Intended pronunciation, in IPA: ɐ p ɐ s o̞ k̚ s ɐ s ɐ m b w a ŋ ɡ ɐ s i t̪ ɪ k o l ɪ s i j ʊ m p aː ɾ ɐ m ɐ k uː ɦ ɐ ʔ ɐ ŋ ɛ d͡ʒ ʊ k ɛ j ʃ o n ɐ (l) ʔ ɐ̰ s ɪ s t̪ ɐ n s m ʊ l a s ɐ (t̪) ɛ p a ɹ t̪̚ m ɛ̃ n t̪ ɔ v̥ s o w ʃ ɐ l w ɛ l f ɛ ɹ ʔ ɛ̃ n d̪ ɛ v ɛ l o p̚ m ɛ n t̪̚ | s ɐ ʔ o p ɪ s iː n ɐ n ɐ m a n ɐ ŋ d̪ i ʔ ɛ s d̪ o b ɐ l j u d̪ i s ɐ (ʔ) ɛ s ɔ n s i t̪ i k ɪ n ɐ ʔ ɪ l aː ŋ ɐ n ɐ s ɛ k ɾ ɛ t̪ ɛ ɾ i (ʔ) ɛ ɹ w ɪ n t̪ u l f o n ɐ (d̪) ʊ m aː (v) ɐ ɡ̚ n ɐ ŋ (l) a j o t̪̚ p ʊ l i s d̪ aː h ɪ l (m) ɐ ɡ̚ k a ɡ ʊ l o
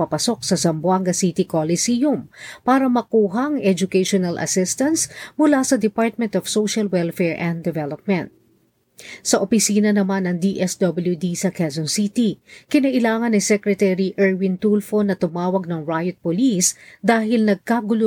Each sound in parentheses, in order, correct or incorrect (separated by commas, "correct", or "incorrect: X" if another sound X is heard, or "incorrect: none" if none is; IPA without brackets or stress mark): correct, incorrect: d̪, incorrect: k, correct, incorrect: t̪, incorrect: w, incorrect: ɹ, incorrect: n